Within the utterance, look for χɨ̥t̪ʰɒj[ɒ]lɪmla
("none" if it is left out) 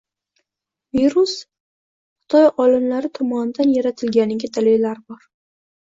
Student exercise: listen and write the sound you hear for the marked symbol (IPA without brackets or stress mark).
ɒ